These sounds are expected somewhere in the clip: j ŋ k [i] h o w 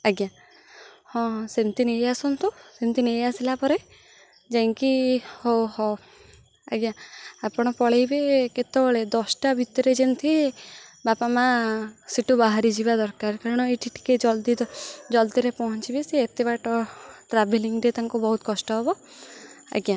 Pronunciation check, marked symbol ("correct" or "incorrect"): correct